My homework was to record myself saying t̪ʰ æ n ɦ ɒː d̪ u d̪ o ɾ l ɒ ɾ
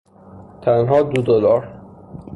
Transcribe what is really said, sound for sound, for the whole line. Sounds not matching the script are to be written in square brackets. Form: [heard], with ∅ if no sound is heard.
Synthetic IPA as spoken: t̪ʰ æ n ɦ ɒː d̪ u d̪ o [∅] l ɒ ɾ